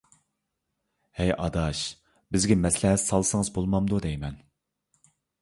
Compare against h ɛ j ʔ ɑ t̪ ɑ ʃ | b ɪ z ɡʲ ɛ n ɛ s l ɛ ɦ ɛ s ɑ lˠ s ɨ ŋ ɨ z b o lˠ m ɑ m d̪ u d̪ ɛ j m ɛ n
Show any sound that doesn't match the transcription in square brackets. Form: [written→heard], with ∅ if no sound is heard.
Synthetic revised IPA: h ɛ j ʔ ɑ [t̪→d̪] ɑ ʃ | b ɪ z ɡʲ ɛ [n→m] ɛ s l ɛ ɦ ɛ s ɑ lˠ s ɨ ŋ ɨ z b o lˠ m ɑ m d̪ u d̪ ɛ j m ɛ n